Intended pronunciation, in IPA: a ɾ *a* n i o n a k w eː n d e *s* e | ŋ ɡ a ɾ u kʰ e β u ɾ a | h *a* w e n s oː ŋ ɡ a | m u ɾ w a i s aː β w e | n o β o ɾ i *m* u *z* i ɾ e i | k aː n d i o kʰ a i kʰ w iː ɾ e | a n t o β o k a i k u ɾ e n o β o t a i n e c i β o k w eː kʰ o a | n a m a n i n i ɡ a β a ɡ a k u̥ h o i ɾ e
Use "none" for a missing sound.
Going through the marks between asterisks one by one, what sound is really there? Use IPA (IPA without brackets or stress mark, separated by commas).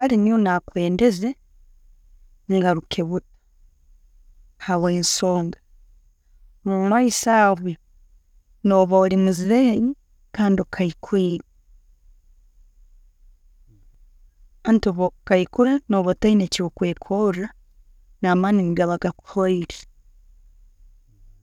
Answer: i, z, a, m, z